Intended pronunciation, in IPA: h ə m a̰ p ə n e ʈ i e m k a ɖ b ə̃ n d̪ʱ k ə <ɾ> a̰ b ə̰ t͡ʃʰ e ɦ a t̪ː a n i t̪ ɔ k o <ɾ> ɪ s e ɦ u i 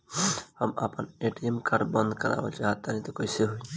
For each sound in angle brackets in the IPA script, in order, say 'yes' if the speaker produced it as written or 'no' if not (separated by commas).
yes, no